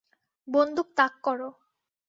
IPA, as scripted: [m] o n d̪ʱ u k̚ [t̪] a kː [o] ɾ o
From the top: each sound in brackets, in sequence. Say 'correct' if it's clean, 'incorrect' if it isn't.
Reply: incorrect, correct, incorrect

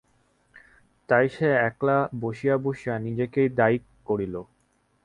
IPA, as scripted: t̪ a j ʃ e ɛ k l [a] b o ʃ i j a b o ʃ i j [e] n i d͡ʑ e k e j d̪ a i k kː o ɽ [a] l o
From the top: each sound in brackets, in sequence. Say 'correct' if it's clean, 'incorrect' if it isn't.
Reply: correct, incorrect, incorrect

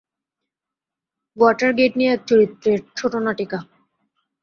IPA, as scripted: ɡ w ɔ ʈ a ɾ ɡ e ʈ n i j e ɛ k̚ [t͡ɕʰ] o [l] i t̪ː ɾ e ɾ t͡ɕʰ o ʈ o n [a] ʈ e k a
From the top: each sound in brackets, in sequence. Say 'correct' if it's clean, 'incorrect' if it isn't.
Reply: incorrect, incorrect, correct

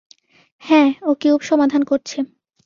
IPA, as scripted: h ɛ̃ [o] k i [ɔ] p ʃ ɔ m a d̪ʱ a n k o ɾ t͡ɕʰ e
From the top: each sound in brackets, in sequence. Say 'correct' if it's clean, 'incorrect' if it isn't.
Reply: correct, incorrect

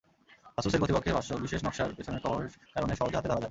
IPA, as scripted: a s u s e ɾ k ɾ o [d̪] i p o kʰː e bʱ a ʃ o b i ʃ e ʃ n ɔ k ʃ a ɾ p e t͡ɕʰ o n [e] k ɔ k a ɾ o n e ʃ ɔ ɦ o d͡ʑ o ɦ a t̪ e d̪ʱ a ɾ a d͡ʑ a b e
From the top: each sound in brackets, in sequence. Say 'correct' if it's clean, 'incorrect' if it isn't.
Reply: incorrect, correct

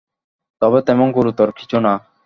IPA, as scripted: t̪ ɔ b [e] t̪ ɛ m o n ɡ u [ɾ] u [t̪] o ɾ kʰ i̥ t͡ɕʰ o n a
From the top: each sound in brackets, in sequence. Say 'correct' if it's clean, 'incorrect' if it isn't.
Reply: correct, correct, correct

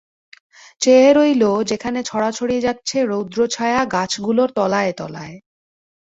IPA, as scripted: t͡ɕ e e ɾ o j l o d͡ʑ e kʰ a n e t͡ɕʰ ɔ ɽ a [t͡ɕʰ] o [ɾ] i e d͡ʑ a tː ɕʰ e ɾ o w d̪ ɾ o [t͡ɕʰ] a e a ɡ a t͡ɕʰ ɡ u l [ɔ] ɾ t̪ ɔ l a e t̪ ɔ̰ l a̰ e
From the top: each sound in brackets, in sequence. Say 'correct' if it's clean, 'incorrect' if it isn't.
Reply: correct, incorrect, correct, incorrect

